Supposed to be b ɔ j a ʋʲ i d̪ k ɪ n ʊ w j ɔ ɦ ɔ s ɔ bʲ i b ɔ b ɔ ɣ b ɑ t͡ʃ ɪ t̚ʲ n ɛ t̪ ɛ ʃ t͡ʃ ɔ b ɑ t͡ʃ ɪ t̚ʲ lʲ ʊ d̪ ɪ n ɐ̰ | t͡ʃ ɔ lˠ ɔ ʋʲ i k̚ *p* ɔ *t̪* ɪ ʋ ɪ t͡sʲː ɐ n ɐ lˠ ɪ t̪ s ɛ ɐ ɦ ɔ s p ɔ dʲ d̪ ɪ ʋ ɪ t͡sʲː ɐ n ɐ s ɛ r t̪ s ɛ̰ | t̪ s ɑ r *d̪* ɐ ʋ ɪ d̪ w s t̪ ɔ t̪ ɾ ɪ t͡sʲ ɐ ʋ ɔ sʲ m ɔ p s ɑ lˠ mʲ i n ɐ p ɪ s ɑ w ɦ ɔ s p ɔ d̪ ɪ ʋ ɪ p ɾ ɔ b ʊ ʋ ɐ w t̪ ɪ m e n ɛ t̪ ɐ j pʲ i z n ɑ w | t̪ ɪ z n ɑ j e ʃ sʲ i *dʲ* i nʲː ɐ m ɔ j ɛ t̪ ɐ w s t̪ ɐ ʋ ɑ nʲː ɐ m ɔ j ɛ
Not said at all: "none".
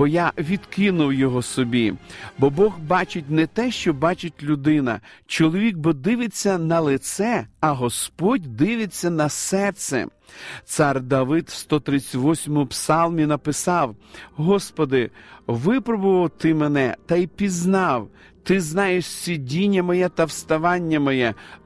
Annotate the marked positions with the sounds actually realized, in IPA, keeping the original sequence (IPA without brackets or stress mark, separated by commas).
b, d̪, d̪, dʲ